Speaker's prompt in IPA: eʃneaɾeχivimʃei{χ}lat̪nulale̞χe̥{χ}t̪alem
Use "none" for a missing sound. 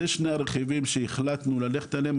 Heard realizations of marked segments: χ, none

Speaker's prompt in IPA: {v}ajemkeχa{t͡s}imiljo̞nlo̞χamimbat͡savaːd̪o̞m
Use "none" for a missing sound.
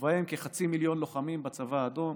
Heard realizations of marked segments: v, t͡s

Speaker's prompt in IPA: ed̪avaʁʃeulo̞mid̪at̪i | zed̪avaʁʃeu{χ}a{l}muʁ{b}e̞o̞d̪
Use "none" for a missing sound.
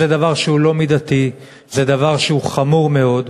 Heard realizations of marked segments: χ, none, m

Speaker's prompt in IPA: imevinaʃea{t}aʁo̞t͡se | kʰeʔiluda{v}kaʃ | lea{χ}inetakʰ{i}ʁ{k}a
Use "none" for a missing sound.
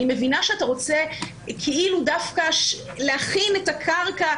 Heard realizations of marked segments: t, f, χ, a, k

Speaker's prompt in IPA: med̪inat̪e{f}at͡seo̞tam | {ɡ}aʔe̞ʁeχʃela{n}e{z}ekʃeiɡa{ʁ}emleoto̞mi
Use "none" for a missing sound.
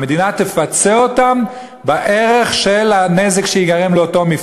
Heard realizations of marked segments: f, b, n, z, ʁ

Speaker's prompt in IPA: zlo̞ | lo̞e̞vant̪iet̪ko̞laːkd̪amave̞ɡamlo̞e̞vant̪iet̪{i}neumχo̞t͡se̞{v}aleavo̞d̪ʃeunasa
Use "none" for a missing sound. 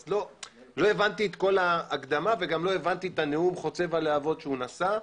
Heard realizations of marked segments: a, v

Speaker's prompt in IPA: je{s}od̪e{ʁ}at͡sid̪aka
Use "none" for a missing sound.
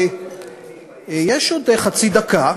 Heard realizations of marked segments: ʃ, χ

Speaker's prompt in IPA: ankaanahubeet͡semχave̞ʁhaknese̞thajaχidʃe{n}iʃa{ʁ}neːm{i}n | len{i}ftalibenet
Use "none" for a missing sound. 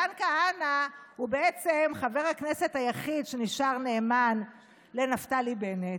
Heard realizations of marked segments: n, ʁ, a, a

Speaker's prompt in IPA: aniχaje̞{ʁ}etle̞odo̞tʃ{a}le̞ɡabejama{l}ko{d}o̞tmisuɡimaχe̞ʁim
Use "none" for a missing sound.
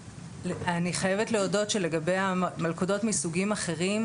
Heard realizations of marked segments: v, e, l, d

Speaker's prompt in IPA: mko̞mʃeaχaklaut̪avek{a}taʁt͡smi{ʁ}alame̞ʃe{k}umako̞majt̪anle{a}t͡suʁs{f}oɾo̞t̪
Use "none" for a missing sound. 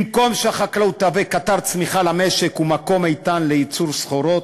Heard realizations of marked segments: a, χ, k, i, χ

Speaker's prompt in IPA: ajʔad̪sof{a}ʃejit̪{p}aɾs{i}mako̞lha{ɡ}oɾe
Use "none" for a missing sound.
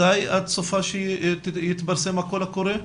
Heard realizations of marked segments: a, b, e, k

